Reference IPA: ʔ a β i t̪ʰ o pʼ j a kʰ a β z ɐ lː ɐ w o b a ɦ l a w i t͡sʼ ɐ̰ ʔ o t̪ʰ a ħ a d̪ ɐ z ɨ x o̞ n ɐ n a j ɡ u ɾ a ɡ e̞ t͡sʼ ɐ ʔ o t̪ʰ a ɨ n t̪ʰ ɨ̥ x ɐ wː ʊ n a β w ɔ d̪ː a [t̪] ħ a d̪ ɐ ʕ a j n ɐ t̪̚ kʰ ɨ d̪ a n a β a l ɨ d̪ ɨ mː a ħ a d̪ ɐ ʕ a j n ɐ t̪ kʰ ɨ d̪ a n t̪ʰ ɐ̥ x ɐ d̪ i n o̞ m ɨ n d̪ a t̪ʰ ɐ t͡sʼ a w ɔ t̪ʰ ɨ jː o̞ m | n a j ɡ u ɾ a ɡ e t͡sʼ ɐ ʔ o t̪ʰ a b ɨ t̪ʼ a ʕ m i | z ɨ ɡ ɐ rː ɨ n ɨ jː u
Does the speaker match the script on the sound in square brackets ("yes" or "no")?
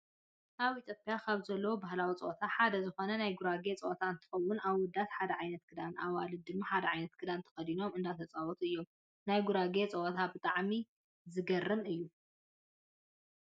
yes